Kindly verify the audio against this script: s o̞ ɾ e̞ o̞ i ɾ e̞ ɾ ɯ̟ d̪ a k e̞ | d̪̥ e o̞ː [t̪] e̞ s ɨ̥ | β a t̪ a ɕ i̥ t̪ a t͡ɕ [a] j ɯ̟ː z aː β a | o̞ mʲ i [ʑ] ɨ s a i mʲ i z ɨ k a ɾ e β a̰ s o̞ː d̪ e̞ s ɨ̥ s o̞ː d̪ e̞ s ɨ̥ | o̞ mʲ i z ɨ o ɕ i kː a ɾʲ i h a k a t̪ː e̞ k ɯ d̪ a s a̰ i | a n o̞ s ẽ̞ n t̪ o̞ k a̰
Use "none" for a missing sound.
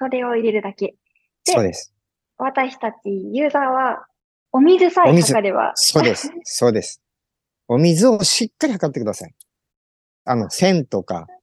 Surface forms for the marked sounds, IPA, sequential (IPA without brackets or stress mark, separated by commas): d̪, i, z